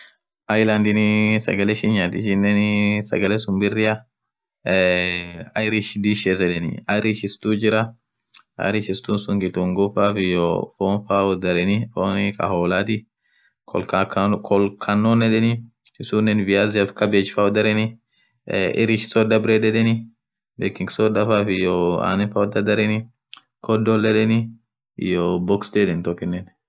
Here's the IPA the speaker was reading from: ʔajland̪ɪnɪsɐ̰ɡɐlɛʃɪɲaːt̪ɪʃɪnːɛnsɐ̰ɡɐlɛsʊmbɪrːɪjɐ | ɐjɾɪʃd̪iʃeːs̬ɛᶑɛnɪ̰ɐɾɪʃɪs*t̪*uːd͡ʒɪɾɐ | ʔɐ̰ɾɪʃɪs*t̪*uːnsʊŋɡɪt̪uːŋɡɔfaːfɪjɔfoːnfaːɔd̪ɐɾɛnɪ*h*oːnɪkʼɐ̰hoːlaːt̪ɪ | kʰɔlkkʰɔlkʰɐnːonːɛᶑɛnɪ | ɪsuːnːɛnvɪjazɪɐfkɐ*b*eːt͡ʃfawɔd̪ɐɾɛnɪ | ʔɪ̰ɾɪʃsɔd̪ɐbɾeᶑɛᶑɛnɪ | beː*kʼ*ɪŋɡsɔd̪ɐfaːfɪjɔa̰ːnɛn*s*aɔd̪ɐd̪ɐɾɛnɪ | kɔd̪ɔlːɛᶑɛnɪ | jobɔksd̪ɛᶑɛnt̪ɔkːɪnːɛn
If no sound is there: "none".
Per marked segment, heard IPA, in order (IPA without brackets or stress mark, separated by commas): t̪, t̪, f, b, k, f